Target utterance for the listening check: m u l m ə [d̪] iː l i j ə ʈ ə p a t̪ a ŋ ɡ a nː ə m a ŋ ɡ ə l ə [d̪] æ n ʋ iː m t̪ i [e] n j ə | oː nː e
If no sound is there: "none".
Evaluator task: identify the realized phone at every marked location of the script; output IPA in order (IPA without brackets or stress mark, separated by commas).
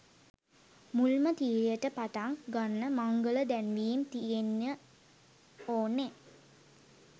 t̪, d̪, e